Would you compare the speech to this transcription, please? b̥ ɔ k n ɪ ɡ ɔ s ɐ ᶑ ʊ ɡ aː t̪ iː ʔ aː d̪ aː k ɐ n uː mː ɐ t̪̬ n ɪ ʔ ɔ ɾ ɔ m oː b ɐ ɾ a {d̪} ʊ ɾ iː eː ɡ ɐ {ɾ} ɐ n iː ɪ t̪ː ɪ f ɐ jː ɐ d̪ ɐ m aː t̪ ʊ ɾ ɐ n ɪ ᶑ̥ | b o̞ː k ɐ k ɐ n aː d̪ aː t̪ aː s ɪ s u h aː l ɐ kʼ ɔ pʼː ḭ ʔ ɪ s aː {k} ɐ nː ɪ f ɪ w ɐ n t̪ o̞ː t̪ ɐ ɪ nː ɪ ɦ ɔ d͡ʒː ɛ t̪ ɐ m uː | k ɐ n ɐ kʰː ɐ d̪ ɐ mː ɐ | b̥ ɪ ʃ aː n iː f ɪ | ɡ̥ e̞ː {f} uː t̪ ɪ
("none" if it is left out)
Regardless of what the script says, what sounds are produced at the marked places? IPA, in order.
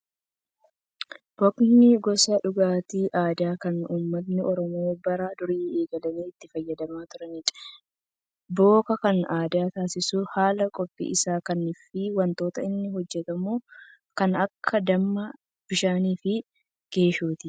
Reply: d̪, l, k, ʃ

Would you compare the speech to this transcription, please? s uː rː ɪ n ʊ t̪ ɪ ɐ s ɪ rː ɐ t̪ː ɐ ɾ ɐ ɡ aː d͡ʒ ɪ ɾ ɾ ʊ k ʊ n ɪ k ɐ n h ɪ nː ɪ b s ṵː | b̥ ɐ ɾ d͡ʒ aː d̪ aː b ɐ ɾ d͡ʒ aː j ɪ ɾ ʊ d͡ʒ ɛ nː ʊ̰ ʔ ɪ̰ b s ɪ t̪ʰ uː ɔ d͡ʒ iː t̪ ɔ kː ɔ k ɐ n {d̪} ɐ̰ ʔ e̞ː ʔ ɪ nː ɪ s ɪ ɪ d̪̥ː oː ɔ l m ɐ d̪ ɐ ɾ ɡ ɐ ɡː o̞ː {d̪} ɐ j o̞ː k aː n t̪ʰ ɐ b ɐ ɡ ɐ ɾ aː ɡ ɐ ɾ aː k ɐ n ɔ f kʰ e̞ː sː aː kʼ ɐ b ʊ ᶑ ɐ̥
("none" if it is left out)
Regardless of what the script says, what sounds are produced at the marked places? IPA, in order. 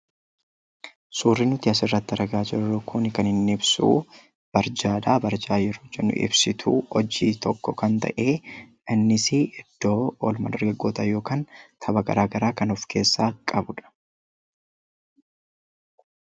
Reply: t̪, t̪

